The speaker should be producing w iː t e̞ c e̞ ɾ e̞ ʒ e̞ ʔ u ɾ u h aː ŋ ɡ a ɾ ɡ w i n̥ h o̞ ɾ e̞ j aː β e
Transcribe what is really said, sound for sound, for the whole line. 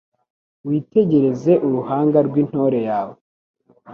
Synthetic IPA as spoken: w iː t e̞ ɟ e̞ ɾ e̞ z e̞ ʔ u ɾ u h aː ŋ ɡ a ɾ ɡ w i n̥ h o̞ ɾ e̞ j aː w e